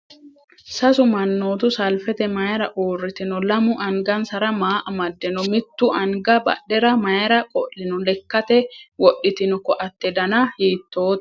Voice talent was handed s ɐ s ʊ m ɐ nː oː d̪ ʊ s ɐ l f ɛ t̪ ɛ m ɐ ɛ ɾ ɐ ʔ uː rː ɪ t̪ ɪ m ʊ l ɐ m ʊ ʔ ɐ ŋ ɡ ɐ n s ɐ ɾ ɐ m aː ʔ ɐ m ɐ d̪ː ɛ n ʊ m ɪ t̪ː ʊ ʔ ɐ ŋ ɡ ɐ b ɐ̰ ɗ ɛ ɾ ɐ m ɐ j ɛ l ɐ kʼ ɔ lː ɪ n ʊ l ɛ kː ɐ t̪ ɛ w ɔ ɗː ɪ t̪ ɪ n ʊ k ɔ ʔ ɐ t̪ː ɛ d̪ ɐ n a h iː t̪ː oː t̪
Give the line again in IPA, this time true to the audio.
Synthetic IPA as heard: s ɐ s ʊ m ɐ nː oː t̪ ʊ s ɐ l f ɛ t̪ ɛ m ɐ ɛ ɾ ɐ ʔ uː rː ɪ t̪ ɪ n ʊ l ɐ m ʊ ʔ ɐ ŋ ɡ ɐ n s ɐ ɾ ɐ m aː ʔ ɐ m ɐ d̪ː ɛ n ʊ m ɪ t̪ː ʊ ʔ ɐ ŋ ɡ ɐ b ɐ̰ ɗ ɛ ɾ ɐ m ɐ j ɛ ɾ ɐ kʼ ɔ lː ɪ n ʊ l ɛ kː ɐ t̪ ɛ w ɔ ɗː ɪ t̪ ɪ n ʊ k ɔ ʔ ɐ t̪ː ɛ d̪ ɐ n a h iː t̪ː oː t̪